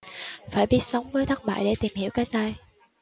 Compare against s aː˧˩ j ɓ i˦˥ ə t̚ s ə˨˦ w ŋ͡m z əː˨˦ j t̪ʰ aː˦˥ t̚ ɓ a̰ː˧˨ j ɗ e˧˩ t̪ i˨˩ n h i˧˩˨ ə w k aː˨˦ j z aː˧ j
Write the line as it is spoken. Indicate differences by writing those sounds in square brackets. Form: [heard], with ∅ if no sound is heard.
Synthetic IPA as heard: [f] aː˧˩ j ɓ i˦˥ ə t̚ s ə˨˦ w ŋ͡m [v] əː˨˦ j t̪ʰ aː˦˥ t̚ ɓ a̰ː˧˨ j ɗ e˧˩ t̪ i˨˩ [m] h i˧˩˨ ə w k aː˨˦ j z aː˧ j